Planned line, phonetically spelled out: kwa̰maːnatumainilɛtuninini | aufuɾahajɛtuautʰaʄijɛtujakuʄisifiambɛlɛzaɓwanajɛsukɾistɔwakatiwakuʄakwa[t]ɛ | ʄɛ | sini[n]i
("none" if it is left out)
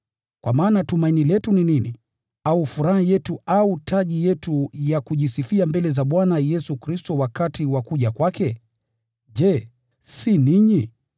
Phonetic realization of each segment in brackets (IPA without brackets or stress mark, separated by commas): k, ɲ